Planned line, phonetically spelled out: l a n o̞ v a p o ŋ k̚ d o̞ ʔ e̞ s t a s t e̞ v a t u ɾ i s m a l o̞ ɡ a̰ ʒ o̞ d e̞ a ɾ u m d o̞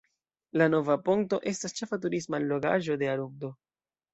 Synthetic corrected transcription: l a n o̞ v a p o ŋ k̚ t o̞ ʔ e̞ s t a s t͡ʃ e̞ f a t u ɾ i s m a l o̞ ɡ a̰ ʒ o̞ d e̞ a ɾ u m d o̞